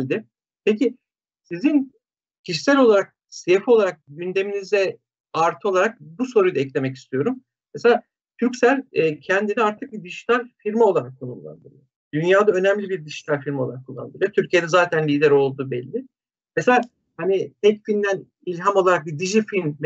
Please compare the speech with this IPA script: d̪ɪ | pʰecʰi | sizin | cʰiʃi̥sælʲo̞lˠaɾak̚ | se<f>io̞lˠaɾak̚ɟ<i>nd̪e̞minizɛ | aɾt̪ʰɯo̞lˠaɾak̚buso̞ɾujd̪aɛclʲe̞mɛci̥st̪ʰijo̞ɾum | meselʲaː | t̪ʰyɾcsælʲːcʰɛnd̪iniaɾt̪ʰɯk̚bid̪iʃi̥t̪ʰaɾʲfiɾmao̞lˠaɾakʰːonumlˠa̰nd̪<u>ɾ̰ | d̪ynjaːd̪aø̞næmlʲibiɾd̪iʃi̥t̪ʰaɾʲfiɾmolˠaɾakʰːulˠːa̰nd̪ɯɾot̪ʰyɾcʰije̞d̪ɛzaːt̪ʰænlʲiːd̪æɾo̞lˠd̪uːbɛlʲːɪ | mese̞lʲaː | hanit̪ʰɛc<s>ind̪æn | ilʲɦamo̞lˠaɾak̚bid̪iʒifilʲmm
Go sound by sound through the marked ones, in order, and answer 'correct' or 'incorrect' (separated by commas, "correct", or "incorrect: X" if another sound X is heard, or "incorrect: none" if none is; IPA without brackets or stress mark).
correct, incorrect: y, incorrect: ɯ, incorrect: f